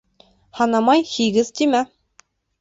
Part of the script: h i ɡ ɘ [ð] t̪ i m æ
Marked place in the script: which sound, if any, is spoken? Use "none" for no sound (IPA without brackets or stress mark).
z